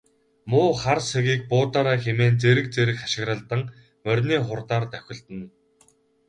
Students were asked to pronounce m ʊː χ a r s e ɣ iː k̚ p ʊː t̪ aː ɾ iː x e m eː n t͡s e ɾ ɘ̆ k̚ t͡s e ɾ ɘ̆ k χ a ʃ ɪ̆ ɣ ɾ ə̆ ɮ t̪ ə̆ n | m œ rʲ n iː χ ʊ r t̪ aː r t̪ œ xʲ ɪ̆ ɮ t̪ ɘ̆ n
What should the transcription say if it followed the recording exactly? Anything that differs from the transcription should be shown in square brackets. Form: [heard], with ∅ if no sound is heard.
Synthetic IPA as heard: m ʊː χ a r s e ɣ iː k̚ p ʊː t̪ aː ɾ [aː] x e m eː n t͡s e ɾ ɘ̆ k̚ t͡s e ɾ ɘ̆ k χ a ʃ ɪ̆ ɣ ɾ ə̆ ɮ t̪ ə̆ [ŋ] | m œ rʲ n iː χ ʊ r t̪ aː r t̪ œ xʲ ɪ̆ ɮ t̪ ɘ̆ n